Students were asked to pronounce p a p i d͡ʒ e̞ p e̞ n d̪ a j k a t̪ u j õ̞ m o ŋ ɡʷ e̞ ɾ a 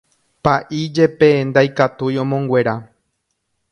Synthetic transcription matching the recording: p a ʔ i d͡ʒ e̞ p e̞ n d̪ a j k a t̪ u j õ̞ m õ ŋ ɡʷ e̞ ɾ a